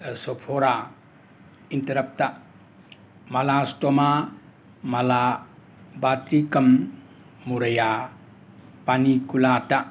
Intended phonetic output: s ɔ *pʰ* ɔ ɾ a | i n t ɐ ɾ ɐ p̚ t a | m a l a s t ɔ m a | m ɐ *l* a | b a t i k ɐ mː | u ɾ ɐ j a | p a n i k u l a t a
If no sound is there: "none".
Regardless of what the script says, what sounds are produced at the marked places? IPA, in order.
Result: pʰ, l

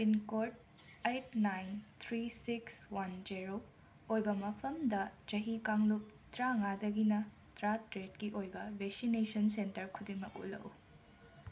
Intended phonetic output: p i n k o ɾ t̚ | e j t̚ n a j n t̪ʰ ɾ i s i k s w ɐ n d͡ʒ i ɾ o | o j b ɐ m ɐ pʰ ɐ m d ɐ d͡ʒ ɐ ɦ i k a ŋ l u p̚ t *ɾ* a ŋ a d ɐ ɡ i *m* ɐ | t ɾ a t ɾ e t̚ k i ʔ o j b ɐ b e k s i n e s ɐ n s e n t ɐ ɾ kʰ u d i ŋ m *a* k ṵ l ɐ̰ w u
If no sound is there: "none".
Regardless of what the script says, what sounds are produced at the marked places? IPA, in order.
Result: ɾ, n, ɐ

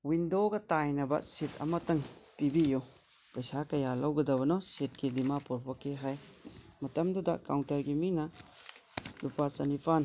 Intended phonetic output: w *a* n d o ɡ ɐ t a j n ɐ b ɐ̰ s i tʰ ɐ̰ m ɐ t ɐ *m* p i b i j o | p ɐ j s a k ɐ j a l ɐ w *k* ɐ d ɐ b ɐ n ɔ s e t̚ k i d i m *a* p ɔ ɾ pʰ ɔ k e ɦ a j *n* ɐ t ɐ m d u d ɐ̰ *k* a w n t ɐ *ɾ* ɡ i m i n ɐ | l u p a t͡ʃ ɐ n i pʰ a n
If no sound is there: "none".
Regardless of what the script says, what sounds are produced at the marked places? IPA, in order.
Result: i, ŋ, ɡ, a, m, k, ɾ

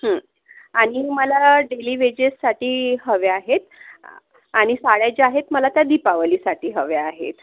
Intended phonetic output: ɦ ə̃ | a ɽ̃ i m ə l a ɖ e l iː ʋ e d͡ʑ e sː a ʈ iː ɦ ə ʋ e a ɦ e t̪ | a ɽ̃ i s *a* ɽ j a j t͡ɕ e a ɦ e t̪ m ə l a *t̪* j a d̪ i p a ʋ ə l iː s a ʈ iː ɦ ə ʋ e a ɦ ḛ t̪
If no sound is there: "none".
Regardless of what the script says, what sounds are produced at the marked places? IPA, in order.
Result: a, t̪

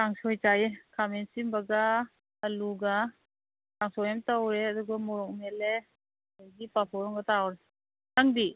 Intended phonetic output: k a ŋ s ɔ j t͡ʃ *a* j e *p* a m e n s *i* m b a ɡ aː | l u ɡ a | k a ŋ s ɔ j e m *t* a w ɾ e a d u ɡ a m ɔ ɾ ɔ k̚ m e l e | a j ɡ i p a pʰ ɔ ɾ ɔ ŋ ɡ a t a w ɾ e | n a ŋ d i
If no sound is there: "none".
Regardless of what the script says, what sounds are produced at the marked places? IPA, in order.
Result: a, k, i, t

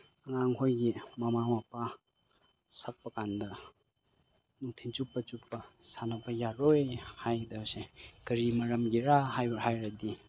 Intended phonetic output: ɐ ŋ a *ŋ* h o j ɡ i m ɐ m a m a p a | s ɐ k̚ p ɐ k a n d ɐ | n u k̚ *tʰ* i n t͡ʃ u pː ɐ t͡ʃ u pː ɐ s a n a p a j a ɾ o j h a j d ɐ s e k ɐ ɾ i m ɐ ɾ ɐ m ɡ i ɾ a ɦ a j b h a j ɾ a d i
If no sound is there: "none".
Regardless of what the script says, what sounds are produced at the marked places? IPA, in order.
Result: ŋ, tʰ

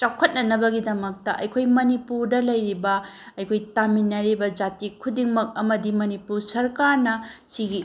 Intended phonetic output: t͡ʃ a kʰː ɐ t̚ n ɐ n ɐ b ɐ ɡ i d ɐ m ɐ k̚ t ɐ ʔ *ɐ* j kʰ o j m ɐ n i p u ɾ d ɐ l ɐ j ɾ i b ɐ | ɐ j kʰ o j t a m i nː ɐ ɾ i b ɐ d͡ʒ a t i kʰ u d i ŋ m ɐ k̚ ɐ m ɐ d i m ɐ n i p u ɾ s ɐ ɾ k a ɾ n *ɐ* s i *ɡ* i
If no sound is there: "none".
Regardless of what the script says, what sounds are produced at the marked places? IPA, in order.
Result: ɐ, ɐ, ɡ

